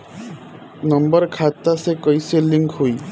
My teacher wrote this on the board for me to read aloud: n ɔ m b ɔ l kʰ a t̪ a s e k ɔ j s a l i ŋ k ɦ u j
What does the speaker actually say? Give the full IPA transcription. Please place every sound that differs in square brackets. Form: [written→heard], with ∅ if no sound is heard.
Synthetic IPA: n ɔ m b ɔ [l→ɾ] kʰ a t̪ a s e k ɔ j s [a→e] l i ŋ k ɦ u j